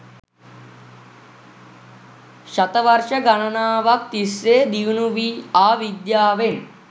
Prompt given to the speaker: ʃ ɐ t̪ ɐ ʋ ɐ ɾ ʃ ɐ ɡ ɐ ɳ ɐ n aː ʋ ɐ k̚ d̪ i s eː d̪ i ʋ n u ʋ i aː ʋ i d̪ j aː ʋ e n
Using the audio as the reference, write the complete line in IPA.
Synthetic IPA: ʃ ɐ t̪ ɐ ʋ ɐ ɾ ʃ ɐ ɡ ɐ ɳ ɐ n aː ʋ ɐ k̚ t̪ i s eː d̪ i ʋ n u ʋ i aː ʋ i d̪ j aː ʋ e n

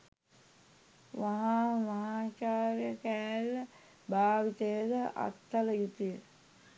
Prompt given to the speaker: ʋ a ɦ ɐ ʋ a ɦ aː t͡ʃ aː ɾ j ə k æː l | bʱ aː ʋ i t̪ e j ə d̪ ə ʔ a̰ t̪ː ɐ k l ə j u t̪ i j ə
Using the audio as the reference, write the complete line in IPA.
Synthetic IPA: ʋ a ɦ a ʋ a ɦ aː t͡ʃ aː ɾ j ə k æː l | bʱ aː ʋ i t̪ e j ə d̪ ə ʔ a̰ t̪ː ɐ l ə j u t̪ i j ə

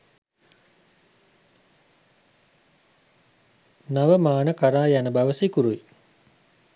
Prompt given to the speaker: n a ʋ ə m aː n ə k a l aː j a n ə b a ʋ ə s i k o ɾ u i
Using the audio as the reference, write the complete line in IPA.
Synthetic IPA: n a ʋ ə m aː n ə k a ɾ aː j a n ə b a ʋ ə s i k u ɾ u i

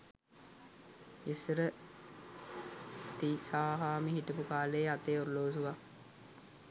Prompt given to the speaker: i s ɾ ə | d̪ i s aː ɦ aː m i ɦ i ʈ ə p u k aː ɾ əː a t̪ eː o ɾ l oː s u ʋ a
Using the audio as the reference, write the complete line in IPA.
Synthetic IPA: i s ɾ ə | t̪ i s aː ɦ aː m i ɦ i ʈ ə p u k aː l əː a t̪ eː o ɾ l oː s u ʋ a

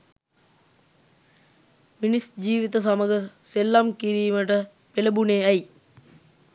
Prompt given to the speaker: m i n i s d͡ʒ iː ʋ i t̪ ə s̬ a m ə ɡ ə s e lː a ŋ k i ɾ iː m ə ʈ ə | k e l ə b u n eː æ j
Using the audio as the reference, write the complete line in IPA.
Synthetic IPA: m i n i s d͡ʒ iː ʋ i t̪ ə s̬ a m ə ɡ ə s e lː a m k i ɾ iː m ə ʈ ə | p e l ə b u n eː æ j

